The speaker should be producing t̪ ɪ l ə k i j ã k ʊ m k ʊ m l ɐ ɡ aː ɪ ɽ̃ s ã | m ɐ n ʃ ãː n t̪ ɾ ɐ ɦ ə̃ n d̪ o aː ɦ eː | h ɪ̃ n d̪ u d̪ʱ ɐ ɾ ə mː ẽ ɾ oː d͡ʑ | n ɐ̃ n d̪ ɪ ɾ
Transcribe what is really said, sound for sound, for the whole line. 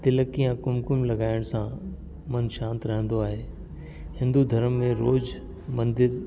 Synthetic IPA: t̪ ɪ l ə k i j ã k ʊ m k ʊ m l ɐ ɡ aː ɪ ɽ̃ s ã | m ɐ n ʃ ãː n t̪ ɾ ɐ ɦ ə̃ n d̪ o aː ɦ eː | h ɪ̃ n d̪ u d̪ʱ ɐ ɾ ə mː ẽ ɾ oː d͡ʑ | m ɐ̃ n d̪ ɪ ɾ